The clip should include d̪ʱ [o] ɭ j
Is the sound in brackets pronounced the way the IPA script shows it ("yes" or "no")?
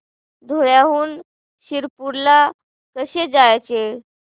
yes